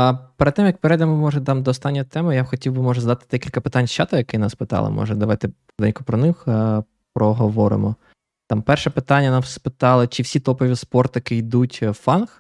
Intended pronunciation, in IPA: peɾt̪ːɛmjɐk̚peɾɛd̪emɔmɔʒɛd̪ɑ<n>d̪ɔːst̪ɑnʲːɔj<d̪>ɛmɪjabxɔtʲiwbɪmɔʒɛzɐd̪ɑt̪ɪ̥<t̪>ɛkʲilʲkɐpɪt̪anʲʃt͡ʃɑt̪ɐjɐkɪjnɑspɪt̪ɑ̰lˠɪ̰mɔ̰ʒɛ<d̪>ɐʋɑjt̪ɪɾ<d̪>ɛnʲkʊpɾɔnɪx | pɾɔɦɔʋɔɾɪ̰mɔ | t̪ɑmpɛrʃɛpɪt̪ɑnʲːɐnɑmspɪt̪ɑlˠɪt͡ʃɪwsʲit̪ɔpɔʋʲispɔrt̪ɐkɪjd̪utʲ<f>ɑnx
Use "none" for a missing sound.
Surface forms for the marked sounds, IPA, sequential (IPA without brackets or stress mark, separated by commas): m, t̪, d̪, d̪, d̪, f